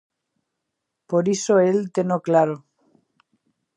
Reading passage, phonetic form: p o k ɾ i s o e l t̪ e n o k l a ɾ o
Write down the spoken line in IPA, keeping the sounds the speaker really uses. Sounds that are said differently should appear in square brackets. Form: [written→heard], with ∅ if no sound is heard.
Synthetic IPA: p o [k→∅] ɾ i s o e l t̪ e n o k l a ɾ o